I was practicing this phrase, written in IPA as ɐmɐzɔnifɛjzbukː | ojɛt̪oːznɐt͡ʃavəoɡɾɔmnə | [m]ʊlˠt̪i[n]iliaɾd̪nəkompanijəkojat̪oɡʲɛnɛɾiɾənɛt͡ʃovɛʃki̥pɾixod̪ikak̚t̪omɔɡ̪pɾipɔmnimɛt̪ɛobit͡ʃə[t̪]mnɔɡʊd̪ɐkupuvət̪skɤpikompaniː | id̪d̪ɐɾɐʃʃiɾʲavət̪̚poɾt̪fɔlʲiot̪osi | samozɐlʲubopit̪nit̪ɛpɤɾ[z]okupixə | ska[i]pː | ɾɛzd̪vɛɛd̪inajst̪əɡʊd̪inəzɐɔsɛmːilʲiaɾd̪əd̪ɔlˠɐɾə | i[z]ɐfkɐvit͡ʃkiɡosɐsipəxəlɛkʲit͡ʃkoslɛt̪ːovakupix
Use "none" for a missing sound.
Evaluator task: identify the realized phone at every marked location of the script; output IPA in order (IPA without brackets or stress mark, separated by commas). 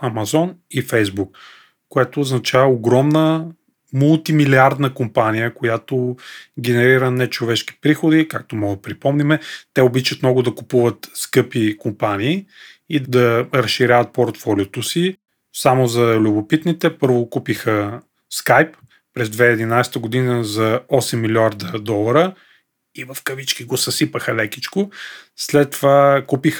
m, m, t̪, v, j, v